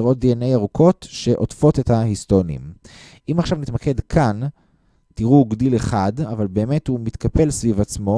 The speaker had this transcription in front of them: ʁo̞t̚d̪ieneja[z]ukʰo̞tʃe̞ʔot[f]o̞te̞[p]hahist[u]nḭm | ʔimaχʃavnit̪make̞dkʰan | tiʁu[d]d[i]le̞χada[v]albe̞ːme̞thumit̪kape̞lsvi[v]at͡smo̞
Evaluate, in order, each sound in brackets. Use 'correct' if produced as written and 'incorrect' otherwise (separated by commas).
incorrect, correct, incorrect, incorrect, incorrect, correct, correct, correct